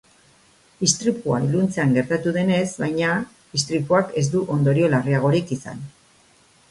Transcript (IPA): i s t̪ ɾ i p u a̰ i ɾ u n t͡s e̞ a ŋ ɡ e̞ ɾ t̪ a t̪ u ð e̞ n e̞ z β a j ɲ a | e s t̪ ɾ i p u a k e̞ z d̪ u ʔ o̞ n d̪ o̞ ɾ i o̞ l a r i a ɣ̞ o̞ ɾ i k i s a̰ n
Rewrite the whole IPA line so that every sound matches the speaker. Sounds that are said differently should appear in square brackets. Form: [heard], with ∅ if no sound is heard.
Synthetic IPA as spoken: i s t̪ ɾ i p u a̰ i [l] u n t͡s e̞ a ŋ ɡ e̞ ɾ t̪ a t̪ u ð e̞ n e̞ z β a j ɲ a | [i] s t̪ ɾ i p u a k e̞ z d̪ u ʔ o̞ n d̪ o̞ ɾ i o̞ l a r i a ɣ̞ o̞ ɾ i k i s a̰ n

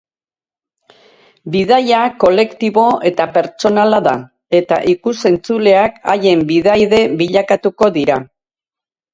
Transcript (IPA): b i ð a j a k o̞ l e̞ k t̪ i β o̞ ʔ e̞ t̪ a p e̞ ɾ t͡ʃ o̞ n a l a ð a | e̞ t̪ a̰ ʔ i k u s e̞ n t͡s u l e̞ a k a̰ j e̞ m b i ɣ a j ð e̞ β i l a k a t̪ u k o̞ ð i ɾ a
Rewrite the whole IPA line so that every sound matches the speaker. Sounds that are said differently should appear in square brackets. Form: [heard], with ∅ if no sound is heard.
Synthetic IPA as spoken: b i ð a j a k o̞ l e̞ k t̪ i β o̞ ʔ e̞ t̪ a p e̞ ɾ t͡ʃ o̞ n a l a ð a | e̞ t̪ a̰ ʔ i k u s e̞ n t͡s u l e̞ a k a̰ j e̞ m b i [ð] a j ð e̞ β i [ʎ] a k a t̪ u k o̞ ð i ɾ a

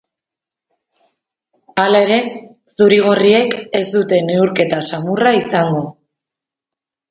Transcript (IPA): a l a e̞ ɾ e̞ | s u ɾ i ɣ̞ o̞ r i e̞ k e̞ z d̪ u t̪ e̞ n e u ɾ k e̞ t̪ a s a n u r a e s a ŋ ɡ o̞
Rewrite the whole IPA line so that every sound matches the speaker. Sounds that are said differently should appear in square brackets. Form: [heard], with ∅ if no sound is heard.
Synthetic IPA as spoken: a l a e̞ ɾ e̞ | s u ɾ i ɣ̞ o̞ r i e̞ k e̞ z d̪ u t̪ e̞ n e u ɾ k e̞ t̪ a s a [m] u r a [i] s a ŋ ɡ o̞

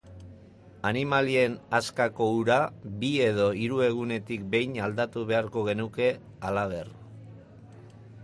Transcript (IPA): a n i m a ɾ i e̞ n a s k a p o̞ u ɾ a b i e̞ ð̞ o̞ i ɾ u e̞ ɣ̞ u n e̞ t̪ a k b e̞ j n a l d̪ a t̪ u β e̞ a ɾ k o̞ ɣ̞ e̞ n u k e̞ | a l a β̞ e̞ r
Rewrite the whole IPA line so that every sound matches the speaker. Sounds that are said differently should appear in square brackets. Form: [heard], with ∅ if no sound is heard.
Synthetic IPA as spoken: a n i m a [l] i e̞ n a s k a [k] o̞ u ɾ a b i e̞ ð̞ o̞ i ɾ u e̞ ɣ̞ u n e̞ t̪ [i] k b e̞ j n a l d̪ a t̪ u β e̞ a ɾ k o̞ ɣ̞ e̞ n u k e̞ | a l a β̞ e̞ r

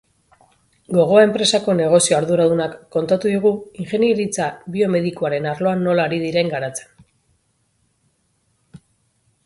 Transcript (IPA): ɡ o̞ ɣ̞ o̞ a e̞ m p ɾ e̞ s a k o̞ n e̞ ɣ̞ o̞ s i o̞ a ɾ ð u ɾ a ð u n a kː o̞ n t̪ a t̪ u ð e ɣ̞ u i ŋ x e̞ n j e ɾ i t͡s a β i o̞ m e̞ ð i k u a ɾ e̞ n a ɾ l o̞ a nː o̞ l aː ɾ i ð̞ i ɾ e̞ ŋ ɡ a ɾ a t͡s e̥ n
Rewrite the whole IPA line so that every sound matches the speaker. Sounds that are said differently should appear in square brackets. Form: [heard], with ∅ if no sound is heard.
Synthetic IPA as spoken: ɡ o̞ ɣ̞ o̞ a e̞ m p ɾ e̞ s a k o̞ n e̞ ɣ̞ o̞ s i o̞ a ɾ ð u ɾ a ð u n a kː o̞ n t̪ a t̪ u ð [i] ɣ̞ u i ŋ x e̞ n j e ɾ i t͡s a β i o̞ m e̞ ð i k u a ɾ e̞ n a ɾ l o̞ a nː o̞ l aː ɾ i ð̞ i ɾ e̞ ŋ ɡ a ɾ a t͡s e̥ n

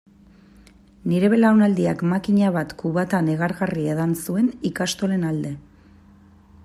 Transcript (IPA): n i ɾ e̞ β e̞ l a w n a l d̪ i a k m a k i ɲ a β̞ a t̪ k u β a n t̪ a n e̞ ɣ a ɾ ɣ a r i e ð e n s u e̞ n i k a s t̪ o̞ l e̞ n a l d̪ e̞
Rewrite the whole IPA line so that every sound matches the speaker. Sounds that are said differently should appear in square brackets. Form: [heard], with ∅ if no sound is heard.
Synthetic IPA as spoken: n i ɾ e̞ β e̞ l a w n a l d̪ i a k m a k i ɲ a β̞ a t̪ k u β a [∅] t̪ a n e̞ ɣ a ɾ ɣ a r i e ð [a] n s u e̞ n i k a s t̪ o̞ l e̞ n a l d̪ e̞

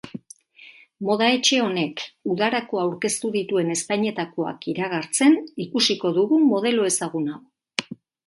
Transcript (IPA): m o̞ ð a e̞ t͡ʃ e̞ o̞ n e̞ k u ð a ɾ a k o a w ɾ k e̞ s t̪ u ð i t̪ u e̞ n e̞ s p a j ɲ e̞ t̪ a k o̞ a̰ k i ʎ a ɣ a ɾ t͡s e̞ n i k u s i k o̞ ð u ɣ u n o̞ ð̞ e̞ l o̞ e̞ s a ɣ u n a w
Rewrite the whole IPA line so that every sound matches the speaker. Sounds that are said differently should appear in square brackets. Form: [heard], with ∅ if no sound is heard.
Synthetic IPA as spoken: m o̞ ð a e̞ t͡ʃ e̞ o̞ n e̞ k u ð a ɾ a k o a w ɾ k e̞ s t̪ u ð i t̪ u e̞ n e̞ s p a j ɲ e̞ t̪ a k o̞ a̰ k i [ɾ] a ɣ a ɾ t͡s e̞ n i k u s i k o̞ ð u ɣ u [m] o̞ ð̞ e̞ l o̞ e̞ s a ɣ u n a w

